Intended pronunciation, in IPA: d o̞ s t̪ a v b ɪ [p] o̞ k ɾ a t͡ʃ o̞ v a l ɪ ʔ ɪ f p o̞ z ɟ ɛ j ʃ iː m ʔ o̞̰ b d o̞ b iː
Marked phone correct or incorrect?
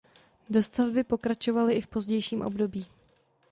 correct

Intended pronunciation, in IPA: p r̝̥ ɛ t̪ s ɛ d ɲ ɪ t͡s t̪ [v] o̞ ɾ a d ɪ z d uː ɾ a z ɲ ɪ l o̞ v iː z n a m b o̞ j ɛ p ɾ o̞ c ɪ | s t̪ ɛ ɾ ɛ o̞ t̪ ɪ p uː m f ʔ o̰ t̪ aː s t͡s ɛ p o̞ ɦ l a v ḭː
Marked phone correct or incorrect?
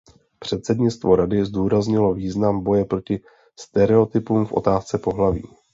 correct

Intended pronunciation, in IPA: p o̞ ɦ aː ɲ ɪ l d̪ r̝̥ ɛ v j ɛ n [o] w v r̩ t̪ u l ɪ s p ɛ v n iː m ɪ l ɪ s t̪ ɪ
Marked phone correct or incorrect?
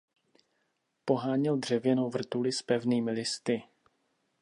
correct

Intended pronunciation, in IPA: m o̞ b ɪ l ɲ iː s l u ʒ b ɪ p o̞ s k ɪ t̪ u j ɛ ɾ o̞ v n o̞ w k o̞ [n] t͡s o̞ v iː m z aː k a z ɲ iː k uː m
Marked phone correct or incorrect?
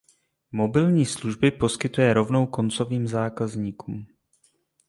correct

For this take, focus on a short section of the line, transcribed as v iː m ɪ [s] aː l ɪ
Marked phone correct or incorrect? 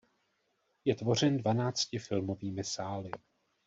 correct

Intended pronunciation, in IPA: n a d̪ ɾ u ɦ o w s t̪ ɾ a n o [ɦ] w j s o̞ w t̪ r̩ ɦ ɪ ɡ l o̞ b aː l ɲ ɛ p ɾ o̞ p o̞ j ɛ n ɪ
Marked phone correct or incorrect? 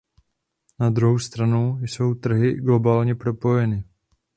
incorrect: none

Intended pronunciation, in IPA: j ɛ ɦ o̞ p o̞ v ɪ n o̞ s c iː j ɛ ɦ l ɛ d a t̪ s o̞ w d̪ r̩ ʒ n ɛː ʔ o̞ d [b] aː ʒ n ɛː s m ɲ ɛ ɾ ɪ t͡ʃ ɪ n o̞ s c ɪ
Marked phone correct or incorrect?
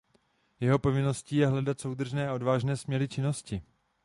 incorrect: v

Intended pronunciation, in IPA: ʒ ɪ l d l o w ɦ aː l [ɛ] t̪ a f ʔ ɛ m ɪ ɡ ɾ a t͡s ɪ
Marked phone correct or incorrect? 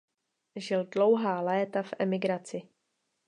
incorrect: ɛː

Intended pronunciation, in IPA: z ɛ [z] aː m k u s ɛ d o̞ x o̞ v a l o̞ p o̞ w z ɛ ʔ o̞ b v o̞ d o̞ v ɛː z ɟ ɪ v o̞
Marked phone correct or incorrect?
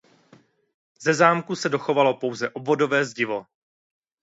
correct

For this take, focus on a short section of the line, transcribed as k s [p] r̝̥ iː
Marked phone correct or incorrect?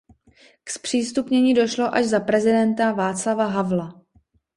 correct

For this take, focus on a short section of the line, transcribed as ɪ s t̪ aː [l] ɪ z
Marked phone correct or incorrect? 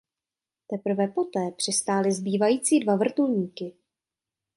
correct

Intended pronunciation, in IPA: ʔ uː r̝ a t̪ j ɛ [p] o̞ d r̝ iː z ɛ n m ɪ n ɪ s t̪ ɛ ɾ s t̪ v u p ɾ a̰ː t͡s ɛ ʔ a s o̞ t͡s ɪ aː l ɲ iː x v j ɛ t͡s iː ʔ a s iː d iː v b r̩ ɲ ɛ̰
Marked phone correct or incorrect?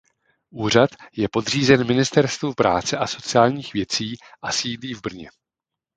correct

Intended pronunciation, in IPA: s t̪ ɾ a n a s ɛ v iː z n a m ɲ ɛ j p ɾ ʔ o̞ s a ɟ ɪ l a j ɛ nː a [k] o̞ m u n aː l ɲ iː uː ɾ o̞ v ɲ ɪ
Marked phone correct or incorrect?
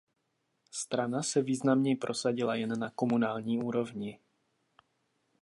correct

